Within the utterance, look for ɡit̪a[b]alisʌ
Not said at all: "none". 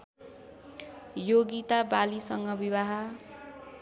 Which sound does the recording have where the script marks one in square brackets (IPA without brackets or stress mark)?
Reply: b